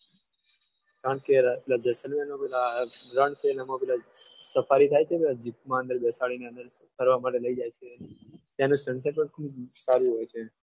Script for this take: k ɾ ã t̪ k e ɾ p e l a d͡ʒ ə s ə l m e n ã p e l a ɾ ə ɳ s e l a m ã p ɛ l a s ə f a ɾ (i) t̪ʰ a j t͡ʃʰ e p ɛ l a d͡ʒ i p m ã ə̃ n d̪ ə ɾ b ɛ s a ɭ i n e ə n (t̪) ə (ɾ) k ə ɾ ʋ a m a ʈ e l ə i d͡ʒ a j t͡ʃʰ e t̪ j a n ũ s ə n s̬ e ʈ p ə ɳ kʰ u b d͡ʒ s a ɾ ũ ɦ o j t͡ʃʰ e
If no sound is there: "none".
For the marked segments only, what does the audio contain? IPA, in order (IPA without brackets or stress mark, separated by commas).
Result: i, d̪, ɾ